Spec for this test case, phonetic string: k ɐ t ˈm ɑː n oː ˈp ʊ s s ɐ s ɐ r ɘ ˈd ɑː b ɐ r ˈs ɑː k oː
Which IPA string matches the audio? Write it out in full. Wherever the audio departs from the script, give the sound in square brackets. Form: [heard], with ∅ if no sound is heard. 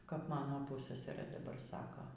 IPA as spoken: k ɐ [p] ˈm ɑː n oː ˈp ʊ s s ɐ s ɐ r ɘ ˈd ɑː b ɐ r ˈs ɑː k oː